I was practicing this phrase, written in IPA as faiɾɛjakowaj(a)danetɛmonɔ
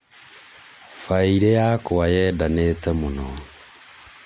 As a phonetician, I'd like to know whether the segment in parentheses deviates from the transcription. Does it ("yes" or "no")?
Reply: yes